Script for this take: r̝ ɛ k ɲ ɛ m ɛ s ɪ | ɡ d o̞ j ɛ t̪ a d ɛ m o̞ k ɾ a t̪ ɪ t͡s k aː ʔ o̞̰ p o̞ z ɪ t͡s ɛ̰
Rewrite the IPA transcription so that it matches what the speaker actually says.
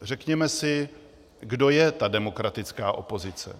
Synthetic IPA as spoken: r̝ ɛ k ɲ ɛ m ɛ s ɪ | ɡ d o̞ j ɛ t̪ a d ɛ m o̞ k ɾ a t̪ ɪ t͡s k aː ʔ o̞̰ p o̞ z ɪ t͡s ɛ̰